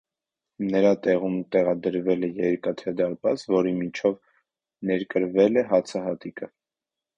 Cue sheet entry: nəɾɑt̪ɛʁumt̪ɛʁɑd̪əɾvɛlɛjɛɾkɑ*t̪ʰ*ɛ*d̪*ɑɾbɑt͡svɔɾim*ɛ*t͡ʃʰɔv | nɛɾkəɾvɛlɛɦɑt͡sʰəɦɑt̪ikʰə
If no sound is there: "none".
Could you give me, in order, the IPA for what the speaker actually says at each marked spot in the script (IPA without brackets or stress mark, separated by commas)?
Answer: t̪ʰ, d̪, i